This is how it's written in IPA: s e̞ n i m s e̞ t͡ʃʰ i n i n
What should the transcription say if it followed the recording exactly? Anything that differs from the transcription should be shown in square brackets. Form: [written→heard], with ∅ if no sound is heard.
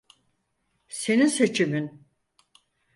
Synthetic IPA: s e̞ n i [m→n] s e̞ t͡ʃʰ i [n→m] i n